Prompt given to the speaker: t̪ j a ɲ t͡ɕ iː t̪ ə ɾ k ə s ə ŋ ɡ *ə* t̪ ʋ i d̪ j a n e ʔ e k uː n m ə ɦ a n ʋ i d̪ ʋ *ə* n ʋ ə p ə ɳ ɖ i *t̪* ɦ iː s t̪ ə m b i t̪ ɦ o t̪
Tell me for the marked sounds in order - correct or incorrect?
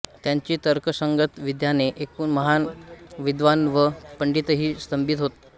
correct, incorrect: a, correct

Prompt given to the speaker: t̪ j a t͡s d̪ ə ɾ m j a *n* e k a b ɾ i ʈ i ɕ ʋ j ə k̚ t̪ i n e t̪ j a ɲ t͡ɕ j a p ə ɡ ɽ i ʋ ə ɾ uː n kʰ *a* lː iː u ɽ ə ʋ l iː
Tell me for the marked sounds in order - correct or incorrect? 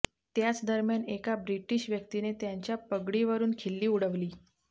correct, incorrect: e

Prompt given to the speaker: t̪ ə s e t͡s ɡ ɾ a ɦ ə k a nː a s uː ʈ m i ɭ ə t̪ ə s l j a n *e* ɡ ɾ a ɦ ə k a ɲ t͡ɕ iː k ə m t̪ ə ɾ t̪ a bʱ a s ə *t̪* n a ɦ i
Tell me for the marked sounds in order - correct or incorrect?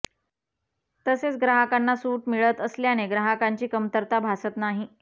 correct, correct

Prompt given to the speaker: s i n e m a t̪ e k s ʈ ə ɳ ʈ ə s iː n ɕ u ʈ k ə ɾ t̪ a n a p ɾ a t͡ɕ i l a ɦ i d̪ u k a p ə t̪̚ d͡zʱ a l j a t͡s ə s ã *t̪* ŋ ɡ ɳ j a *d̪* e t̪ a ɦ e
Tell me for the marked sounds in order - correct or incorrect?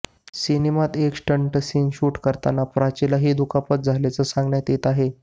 incorrect: none, incorrect: t̪

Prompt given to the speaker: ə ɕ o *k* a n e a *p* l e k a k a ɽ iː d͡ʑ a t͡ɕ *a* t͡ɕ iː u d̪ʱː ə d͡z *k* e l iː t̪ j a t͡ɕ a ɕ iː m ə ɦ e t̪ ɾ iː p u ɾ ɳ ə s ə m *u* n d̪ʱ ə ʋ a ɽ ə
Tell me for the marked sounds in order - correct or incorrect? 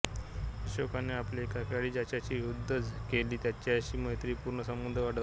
correct, correct, correct, correct, correct

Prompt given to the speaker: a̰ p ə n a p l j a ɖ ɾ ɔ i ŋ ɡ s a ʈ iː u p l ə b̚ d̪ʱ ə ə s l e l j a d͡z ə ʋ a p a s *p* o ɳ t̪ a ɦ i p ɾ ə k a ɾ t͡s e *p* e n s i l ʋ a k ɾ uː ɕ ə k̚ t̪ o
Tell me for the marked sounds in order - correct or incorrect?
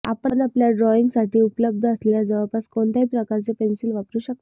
incorrect: k, correct

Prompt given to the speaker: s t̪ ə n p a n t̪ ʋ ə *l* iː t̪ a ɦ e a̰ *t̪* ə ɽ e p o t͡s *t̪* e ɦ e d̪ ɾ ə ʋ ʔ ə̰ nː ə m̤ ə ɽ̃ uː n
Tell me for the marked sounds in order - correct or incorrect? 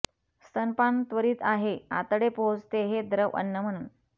incorrect: ɾ, correct, correct

